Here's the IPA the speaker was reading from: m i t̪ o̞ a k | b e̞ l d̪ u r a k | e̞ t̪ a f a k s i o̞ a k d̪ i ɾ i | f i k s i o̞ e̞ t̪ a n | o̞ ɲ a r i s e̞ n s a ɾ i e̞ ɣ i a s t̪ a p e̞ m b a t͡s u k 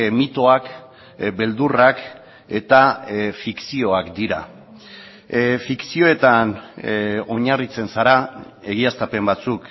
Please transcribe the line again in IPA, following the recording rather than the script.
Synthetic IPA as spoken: m i t̪ o̞ a k | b e̞ l d̪ u r a k | e̞ t̪ a f i k s i o̞ a k d̪ i ɾ a | f i k s i o̞ e̞ t̪ a n | o̞ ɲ a r i t͡s e̞ n s a ɾ a e̞ ɣ i a s t̪ a p e̞ m b a t͡s u k